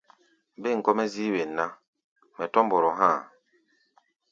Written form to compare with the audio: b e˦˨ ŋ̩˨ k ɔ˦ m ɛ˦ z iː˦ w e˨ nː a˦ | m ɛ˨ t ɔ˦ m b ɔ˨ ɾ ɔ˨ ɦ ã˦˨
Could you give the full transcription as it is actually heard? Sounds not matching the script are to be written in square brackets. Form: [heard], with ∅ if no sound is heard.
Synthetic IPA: b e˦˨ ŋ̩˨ k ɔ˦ m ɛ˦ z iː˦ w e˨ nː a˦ | m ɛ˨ t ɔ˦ m b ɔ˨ ɾ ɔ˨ ɦ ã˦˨